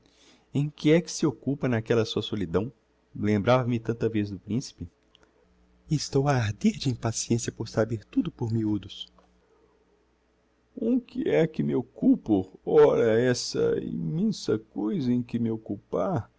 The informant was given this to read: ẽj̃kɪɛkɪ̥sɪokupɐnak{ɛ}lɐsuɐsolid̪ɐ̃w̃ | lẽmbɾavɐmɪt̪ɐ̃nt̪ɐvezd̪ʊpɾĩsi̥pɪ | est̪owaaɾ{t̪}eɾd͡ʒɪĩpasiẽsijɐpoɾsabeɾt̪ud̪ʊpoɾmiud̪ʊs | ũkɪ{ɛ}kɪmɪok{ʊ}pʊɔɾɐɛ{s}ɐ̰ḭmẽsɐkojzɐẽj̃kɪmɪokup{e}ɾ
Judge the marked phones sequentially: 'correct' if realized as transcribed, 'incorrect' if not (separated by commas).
correct, incorrect, correct, incorrect, correct, incorrect